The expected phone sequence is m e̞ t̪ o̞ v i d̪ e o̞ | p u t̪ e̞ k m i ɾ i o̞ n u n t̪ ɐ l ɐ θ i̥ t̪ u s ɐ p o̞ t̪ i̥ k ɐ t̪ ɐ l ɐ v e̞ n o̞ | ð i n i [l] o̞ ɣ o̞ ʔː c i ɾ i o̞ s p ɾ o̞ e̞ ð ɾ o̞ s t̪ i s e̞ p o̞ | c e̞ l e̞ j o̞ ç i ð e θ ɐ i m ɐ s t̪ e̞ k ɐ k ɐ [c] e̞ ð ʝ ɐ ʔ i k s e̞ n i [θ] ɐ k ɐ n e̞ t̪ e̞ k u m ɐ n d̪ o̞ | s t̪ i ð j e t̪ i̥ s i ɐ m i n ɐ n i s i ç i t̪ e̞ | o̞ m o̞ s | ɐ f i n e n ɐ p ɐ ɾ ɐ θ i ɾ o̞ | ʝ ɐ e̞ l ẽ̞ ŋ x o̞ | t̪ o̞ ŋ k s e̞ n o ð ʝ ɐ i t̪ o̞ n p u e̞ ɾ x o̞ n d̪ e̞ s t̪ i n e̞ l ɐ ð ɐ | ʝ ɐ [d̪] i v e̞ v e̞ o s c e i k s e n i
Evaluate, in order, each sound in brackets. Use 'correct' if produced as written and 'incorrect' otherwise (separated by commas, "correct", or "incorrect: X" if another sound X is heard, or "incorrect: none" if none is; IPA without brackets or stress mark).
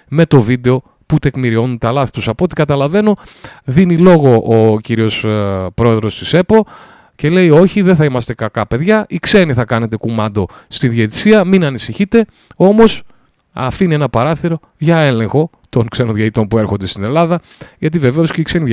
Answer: correct, incorrect: p, correct, incorrect: t̪